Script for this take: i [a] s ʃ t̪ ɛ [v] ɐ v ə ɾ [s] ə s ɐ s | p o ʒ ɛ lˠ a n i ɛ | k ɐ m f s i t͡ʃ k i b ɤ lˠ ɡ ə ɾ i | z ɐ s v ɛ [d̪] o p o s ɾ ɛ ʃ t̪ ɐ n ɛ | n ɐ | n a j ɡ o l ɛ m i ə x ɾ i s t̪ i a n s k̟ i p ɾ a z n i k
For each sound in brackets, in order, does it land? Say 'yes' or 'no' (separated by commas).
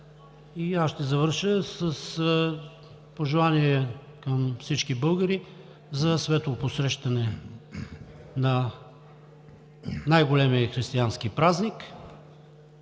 yes, no, no, no